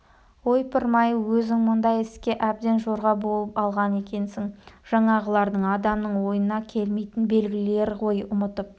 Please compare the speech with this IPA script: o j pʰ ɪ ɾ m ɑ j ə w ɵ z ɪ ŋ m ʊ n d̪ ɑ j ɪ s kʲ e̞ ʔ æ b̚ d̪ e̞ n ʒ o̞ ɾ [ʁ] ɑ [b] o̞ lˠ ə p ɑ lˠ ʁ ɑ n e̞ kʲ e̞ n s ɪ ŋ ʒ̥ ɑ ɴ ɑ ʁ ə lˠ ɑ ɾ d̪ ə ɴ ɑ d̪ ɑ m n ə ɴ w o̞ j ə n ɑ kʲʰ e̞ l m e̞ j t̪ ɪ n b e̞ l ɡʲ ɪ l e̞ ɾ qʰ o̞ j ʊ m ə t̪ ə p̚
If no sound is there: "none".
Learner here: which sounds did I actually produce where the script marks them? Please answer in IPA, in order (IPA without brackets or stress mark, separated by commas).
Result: ʁ, b